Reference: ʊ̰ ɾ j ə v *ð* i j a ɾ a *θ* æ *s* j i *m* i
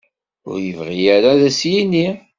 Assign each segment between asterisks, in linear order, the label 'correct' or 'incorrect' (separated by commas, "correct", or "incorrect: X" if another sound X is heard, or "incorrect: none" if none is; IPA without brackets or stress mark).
incorrect: ʁ, incorrect: ð, correct, incorrect: n